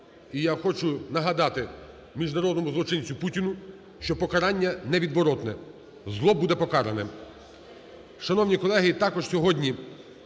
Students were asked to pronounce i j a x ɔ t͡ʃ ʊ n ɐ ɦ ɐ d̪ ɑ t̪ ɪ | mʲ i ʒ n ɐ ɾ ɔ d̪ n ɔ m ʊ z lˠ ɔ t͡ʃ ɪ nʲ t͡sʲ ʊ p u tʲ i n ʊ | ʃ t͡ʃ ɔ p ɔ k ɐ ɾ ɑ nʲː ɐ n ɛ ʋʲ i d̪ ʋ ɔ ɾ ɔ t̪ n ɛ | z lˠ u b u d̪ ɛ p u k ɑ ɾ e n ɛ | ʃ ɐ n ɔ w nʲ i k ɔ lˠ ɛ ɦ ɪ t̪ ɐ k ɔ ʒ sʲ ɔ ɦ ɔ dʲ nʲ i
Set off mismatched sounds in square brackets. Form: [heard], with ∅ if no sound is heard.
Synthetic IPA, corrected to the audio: i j a x ɔ t͡ʃ ʊ n ɐ ɦ ɐ d̪ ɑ t̪ ɪ | mʲ i ʒ n ɐ ɾ ɔ d̪ n ɔ m ʊ z lˠ ɔ t͡ʃ ɪ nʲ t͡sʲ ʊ p u tʲ i n ʊ | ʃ t͡ʃ ɔ p ɔ k ɐ ɾ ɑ nʲː ɐ n ɛ ʋʲ i d̪ ʋ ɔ ɾ ɔ t̪ n ɛ | z lˠ [ɔ] b u d̪ ɛ p [ɔ] k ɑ ɾ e n ɛ | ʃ ɐ n ɔ w nʲ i k ɔ lˠ ɛ ɦ ɪ t̪ [ɑ] k ɔ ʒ sʲ ɔ ɦ ɔ dʲ nʲ i